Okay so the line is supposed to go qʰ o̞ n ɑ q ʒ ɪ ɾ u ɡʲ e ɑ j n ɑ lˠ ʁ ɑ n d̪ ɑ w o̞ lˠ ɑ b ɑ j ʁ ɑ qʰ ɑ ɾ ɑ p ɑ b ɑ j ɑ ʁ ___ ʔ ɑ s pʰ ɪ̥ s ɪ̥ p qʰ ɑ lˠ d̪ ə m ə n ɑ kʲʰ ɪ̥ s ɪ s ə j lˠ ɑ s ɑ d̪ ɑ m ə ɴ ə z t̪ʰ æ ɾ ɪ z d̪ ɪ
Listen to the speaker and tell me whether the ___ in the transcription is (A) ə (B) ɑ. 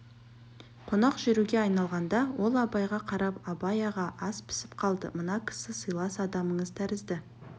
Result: B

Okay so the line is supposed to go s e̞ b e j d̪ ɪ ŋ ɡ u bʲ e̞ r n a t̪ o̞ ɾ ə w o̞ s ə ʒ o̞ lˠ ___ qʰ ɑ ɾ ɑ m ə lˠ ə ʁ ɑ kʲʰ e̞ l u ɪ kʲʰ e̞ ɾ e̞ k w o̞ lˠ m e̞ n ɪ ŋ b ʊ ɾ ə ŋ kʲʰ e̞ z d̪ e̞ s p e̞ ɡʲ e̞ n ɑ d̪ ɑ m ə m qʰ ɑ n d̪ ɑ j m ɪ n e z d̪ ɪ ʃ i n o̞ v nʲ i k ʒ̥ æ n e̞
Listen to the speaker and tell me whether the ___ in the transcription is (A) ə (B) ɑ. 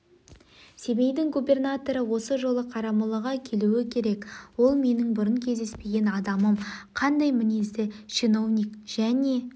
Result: A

